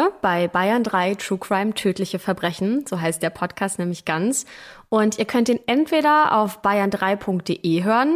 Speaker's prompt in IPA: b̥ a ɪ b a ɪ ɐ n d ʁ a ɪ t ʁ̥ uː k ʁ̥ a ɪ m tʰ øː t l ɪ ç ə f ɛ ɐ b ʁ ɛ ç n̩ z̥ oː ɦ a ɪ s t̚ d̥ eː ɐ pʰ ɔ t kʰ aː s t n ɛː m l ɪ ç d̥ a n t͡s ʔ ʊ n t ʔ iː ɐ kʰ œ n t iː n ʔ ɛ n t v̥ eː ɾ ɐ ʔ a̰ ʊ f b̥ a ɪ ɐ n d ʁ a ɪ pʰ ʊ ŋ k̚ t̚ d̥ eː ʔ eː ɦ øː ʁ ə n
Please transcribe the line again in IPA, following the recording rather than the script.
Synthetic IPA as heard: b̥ a ɪ b a ɪ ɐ n d ʁ a ɪ t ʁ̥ uː k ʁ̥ a ɪ m tʰ øː t l ɪ ç ə f ɛ ɐ b ʁ ɛ ç n̩ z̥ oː ɦ a ɪ s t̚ d̥ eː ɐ pʰ ɔ t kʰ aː s t n ɛː m l ɪ ç ɡ̥ a n t͡s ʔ ʊ n t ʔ iː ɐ kʰ œ n t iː n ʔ ɛ n t v̥ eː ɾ ɐ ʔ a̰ ʊ f b̥ a ɪ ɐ n d ʁ a ɪ pʰ ʊ ŋ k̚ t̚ d̥ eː ʔ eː ɦ øː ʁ ə n